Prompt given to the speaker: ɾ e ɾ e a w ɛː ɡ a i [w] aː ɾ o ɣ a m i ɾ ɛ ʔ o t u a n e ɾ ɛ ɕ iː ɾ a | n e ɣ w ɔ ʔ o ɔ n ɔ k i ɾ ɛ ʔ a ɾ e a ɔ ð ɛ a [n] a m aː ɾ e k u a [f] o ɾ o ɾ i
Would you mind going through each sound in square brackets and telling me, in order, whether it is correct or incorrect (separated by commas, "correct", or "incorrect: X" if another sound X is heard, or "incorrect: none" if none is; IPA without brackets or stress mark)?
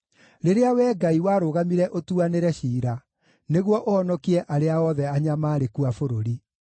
correct, incorrect: ɲ, correct